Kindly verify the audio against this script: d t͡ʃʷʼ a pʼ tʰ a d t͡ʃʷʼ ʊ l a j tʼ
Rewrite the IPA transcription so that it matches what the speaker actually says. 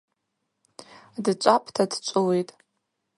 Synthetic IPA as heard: d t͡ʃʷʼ a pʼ tʰ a d t͡ʃʷʼ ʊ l e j tʼ